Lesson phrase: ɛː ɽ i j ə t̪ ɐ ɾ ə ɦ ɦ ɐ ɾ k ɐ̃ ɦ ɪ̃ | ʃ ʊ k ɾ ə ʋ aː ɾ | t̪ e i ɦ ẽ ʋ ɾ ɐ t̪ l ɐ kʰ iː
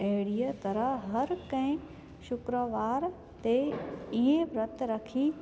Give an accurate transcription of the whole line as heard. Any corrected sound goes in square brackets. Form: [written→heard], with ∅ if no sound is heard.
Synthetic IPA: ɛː ɽ i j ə t̪ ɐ ɾ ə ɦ ɦ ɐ ɾ k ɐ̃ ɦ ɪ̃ | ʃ ʊ k ɾ ə ʋ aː ɾ | t̪ e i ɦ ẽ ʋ ɾ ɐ t̪ [l→ɾ] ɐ kʰ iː